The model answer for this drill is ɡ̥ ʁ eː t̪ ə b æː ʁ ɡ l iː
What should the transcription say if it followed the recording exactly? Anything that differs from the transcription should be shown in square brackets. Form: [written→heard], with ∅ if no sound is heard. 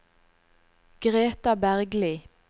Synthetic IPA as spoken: ɡ̥ ʁ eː t̪ [ə→ɑ] b [æː→æ] ʁ ɡ l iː